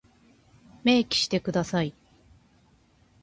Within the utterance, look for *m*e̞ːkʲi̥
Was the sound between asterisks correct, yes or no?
yes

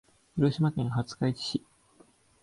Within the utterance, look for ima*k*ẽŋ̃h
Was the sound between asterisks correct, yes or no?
yes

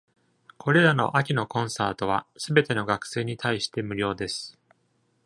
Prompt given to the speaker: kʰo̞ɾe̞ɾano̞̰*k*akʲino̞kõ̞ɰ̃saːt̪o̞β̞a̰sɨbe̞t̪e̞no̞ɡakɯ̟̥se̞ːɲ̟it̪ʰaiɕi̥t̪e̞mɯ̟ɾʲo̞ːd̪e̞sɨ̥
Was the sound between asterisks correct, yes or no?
no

